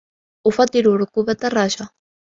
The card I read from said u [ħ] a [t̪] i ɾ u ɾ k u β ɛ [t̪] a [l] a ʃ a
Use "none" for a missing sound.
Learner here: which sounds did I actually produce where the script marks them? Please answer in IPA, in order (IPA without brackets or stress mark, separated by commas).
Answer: f, t̪, t̪, r